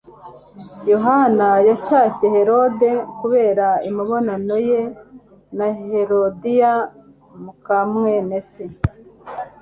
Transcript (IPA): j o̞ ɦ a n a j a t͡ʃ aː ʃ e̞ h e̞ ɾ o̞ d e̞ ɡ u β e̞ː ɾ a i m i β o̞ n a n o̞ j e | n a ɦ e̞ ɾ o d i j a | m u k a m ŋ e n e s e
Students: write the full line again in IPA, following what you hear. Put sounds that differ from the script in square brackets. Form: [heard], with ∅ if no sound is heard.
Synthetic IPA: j o̞ ɦ a n a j a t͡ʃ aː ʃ e̞ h e̞ ɾ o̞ d e̞ [k] u β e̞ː ɾ a i m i β o̞ n a n o̞ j e | n a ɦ e̞ ɾ o d i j a | m u k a m ŋ e n e s e